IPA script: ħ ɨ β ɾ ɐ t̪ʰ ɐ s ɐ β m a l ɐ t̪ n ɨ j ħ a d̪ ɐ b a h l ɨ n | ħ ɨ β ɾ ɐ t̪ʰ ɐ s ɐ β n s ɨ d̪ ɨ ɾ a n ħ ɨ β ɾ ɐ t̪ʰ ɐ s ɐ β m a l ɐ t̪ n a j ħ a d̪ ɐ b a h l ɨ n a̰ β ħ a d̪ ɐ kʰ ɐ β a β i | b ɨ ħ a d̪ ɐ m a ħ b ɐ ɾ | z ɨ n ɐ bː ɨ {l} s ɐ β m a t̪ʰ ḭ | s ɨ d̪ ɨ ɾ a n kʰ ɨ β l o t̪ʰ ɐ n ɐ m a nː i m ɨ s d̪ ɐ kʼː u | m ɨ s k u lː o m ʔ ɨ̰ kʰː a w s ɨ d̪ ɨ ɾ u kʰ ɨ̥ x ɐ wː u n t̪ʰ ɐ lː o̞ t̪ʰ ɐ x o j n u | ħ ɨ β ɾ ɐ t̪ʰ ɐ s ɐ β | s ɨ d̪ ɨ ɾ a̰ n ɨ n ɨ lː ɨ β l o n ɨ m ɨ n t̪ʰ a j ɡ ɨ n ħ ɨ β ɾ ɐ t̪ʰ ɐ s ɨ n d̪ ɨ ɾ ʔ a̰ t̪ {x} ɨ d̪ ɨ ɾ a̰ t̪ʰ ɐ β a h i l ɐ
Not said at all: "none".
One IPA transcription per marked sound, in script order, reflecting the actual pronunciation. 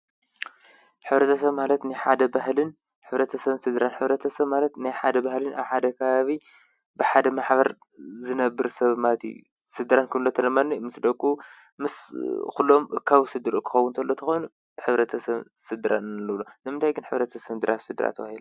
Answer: ɾ, s

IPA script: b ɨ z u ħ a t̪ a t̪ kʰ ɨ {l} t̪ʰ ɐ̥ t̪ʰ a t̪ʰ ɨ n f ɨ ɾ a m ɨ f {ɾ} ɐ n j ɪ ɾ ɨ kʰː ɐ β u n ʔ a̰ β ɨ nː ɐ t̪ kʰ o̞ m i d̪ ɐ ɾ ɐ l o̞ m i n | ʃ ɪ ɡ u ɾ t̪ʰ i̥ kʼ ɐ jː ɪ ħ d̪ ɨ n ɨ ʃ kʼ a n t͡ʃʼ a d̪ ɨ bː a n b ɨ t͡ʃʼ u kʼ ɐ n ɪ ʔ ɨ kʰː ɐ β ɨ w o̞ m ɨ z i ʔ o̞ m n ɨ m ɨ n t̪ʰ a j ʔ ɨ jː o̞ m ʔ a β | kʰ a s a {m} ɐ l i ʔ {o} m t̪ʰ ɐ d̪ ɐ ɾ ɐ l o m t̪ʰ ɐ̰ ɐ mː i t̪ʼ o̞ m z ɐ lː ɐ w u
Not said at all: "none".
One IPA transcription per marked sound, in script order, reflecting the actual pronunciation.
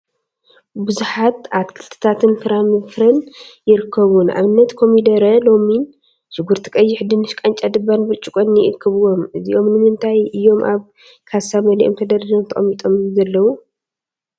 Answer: l, ɾ, m, o

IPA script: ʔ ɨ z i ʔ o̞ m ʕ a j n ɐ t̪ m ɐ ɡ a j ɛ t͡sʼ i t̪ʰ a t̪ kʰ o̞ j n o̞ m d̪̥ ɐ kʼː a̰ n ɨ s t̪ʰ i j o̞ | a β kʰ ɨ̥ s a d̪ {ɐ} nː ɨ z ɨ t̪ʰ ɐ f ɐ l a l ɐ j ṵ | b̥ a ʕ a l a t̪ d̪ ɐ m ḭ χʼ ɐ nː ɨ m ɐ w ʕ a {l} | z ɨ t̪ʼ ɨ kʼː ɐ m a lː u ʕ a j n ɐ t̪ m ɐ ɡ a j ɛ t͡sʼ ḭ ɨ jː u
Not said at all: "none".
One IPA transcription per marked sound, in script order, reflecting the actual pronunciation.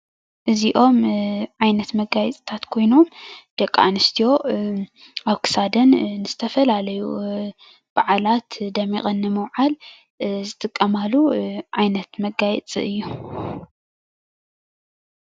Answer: ɐ, l

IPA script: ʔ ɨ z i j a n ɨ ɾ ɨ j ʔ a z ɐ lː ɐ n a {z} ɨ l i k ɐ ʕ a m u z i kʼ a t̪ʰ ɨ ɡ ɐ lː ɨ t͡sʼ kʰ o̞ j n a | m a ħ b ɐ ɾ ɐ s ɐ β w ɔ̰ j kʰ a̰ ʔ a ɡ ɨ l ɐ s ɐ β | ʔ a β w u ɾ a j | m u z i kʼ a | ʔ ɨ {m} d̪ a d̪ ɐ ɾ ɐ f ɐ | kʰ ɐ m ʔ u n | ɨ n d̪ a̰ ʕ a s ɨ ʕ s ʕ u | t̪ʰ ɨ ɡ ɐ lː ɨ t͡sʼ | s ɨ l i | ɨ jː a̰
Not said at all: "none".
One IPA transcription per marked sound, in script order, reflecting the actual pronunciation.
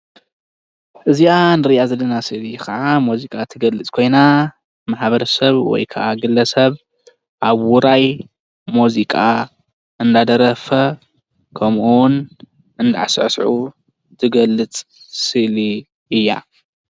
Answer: s, n

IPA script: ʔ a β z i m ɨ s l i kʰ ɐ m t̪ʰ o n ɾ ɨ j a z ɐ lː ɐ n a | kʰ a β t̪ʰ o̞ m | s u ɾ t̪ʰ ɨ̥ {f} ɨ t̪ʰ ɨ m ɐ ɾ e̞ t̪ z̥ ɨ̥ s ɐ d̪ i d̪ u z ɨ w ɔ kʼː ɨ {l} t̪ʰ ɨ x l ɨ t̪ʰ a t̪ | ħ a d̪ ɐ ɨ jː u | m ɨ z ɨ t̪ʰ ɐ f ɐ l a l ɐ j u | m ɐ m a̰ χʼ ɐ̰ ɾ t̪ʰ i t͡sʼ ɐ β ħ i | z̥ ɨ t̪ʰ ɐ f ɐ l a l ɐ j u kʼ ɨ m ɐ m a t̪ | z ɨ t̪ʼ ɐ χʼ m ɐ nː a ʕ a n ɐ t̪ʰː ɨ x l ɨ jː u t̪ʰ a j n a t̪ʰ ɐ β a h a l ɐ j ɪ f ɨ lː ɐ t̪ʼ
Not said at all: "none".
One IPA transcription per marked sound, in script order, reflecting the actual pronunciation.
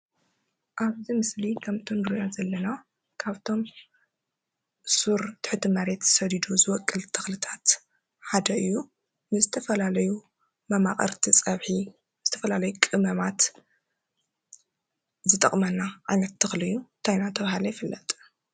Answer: ħ, l

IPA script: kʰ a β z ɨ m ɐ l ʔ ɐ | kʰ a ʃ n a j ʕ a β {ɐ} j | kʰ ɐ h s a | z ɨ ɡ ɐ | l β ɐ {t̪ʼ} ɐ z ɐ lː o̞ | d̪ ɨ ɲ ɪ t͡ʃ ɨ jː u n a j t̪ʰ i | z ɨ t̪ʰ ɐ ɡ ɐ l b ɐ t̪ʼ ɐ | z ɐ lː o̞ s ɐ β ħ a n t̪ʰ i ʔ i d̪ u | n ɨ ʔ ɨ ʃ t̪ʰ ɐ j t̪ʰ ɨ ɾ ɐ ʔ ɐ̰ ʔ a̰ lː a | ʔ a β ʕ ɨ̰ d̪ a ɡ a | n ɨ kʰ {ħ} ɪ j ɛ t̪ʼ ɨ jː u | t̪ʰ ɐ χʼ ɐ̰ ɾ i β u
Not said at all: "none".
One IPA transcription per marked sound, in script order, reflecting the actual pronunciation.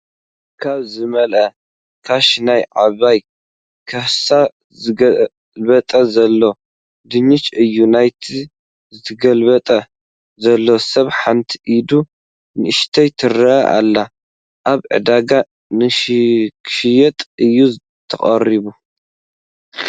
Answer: a, t̪ʼ, ʃ

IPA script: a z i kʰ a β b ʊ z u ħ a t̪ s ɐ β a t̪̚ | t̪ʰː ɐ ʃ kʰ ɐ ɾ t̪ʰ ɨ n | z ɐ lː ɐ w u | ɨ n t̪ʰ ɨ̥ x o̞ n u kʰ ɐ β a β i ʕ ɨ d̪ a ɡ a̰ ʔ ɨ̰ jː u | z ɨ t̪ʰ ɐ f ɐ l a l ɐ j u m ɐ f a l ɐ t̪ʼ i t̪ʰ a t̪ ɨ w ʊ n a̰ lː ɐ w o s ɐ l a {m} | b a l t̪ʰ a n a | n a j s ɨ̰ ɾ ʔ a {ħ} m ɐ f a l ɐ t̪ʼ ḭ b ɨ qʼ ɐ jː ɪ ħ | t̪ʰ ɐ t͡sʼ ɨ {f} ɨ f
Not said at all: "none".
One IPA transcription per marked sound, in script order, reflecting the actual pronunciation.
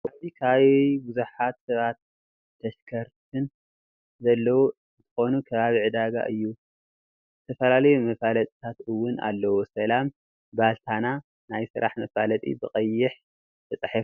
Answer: m, ħ, ħ

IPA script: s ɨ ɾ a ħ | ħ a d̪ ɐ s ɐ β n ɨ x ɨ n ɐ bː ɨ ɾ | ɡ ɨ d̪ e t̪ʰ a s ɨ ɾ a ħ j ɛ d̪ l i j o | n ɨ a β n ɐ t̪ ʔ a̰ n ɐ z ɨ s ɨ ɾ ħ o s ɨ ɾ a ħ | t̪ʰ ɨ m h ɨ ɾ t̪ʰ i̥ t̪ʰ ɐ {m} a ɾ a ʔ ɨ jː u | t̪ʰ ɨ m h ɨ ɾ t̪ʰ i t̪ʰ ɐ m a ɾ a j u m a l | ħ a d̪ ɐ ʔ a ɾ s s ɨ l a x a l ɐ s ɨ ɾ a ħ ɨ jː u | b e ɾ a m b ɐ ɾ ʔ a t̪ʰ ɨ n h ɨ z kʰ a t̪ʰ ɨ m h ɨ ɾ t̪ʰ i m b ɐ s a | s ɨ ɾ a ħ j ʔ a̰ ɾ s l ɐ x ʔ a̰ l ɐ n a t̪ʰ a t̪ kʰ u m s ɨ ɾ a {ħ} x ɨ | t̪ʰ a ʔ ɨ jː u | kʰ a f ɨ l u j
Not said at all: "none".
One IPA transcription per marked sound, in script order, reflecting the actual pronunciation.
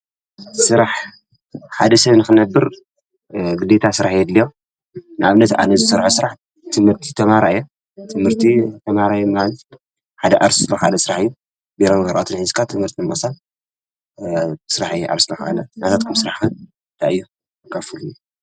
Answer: m, ħ

